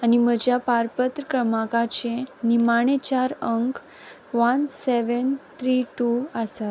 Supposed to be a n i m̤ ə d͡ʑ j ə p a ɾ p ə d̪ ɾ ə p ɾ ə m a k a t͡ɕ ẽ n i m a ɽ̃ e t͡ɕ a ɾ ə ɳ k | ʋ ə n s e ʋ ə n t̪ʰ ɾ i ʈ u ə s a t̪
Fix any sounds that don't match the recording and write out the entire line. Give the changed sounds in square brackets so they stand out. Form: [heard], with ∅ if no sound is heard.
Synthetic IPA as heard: a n i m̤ ə d͡ʑ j [a] p a ɾ p ə [t̪] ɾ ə [k] ɾ ə m a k a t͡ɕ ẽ n i m a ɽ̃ e t͡ɕ a ɾ ə [ŋ] k | ʋ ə n s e ʋ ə n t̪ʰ ɾ i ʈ u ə s a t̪